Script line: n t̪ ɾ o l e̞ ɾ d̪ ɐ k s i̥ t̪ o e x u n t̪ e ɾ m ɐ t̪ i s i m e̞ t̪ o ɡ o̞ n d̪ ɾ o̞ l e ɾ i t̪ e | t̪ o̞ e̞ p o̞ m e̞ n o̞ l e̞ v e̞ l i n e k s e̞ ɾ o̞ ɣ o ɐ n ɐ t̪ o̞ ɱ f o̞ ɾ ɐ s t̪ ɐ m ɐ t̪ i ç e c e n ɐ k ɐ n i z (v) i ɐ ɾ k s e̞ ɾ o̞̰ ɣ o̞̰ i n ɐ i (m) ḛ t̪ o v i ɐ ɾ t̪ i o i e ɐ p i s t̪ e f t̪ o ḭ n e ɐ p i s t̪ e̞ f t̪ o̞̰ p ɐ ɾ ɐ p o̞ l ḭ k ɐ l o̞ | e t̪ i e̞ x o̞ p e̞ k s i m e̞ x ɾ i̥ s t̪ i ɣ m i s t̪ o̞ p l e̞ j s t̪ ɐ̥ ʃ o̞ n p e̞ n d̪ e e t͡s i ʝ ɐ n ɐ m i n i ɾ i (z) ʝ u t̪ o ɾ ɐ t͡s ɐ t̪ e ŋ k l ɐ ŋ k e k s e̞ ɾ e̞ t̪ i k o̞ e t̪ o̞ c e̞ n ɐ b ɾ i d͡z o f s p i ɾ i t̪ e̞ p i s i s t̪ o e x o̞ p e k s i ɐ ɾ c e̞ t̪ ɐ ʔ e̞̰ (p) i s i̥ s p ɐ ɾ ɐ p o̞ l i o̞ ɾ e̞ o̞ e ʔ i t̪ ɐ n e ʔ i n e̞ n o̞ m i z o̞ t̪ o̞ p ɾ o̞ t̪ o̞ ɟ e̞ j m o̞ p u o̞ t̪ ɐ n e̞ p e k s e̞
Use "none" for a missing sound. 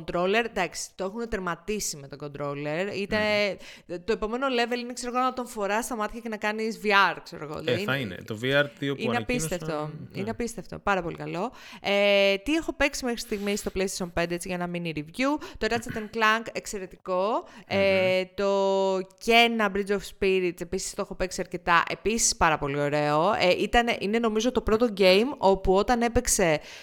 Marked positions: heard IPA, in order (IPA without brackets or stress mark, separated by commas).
v, n, v, p